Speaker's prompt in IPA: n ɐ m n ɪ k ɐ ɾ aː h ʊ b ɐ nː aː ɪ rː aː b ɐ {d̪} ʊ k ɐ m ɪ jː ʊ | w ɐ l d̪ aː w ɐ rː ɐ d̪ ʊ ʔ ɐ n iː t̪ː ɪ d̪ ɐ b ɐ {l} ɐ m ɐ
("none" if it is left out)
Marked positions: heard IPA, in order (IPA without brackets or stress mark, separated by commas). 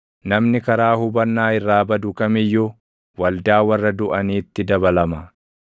d̪, l